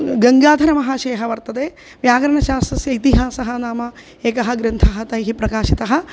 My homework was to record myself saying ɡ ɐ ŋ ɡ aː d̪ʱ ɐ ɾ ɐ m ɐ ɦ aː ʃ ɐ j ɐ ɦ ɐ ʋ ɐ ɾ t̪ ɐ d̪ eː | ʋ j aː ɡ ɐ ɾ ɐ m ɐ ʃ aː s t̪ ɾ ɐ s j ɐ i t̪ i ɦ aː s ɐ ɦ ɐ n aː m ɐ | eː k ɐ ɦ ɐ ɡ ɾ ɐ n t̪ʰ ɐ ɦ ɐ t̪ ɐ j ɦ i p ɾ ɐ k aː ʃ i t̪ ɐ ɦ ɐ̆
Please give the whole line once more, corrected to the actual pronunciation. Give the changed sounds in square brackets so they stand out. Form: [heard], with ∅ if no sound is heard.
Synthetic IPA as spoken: ɡ ɐ ŋ ɡ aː d̪ʱ ɐ ɾ ɐ m ɐ ɦ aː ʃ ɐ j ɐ ɦ ɐ ʋ ɐ ɾ t̪ ɐ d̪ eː | ʋ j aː ɡ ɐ ɾ ɐ [ɳ] ɐ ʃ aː s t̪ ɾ ɐ s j ɐ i t̪ i ɦ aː s ɐ ɦ ɐ n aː m ɐ | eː k ɐ ɦ ɐ ɡ ɾ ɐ n t̪ʰ ɐ ɦ ɐ t̪ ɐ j ɦ i p ɾ ɐ k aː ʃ i t̪ ɐ ɦ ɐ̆